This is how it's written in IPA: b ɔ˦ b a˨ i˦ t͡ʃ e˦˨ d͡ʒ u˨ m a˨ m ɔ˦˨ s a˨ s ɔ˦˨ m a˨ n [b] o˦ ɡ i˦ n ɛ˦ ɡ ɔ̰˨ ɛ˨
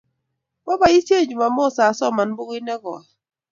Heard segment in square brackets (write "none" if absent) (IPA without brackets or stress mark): b